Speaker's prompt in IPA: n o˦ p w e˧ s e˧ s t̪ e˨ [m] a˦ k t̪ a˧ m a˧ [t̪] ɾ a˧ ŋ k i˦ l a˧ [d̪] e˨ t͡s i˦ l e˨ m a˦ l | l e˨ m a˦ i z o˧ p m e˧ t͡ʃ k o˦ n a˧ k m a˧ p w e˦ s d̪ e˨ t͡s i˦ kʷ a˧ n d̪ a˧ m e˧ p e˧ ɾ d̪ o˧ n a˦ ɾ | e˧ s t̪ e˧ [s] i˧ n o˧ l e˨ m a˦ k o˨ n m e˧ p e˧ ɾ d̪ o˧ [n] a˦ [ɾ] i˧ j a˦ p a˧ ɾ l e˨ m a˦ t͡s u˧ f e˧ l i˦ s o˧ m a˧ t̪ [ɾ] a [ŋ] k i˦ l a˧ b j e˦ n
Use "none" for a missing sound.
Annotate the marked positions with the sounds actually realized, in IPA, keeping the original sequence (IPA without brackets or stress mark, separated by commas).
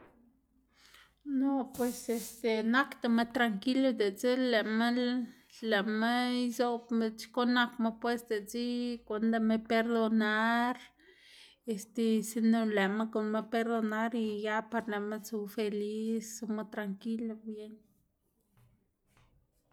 n, t̪, d̪, s, n, ɾ, ɾ, ŋ